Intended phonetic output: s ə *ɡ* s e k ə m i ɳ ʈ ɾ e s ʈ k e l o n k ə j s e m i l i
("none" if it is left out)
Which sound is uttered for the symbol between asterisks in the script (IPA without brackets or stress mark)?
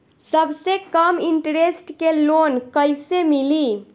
b